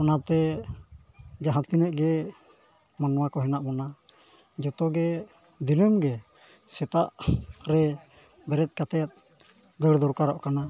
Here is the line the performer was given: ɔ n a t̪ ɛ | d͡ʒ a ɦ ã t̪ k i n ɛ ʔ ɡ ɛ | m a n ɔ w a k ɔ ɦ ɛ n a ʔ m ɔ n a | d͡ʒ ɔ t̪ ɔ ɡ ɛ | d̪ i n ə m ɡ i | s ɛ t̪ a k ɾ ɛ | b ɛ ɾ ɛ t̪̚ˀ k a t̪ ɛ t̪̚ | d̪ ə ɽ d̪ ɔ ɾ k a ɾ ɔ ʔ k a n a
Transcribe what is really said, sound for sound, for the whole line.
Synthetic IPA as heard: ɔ n a t̪ ɛ | d͡ʒ a ɦ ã t̪ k i n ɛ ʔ ɡ ɛ | m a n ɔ w a k ɔ ɦ ɛ n a ʔ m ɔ n a | d͡ʒ ɔ t̪ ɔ ɡ ɛ | d̪ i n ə m ɡ ɛ | s ɛ t̪ a ʔ ɾ ɛ | b ɛ ɾ ɛ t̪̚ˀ k a t̪ ɛ t̪̚ | d̪ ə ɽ d̪ ɔ ɾ k a ɾ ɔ ʔ k a n a